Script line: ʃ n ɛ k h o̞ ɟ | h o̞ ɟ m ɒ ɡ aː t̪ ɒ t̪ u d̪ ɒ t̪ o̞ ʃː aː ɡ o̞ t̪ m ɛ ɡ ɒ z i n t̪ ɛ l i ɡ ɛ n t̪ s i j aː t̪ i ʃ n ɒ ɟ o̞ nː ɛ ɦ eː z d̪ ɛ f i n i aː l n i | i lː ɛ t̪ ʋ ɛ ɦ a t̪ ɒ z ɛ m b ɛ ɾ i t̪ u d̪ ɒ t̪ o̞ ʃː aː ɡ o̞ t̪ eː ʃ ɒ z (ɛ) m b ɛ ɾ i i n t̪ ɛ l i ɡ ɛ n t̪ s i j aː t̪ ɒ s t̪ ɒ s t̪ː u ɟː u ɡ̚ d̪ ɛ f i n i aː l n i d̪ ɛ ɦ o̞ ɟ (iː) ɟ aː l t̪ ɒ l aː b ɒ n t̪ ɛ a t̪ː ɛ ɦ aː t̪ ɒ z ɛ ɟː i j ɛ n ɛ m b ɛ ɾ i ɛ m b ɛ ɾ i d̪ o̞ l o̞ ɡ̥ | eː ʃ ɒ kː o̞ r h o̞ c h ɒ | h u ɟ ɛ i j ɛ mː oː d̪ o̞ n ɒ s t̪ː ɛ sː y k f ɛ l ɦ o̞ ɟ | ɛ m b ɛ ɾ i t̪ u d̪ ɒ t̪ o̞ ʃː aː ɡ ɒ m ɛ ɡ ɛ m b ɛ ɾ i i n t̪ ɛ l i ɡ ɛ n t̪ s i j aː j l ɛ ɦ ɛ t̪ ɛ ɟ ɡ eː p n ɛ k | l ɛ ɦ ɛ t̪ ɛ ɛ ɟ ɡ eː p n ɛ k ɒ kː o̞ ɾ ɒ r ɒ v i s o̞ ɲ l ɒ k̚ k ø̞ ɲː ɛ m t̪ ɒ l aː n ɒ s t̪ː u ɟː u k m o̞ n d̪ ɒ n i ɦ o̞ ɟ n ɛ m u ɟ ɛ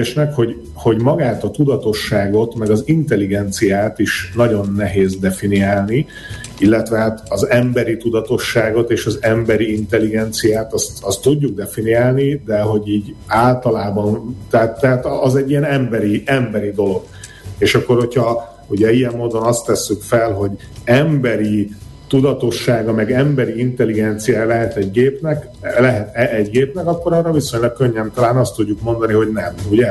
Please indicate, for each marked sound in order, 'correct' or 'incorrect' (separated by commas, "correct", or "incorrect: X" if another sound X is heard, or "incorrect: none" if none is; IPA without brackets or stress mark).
correct, correct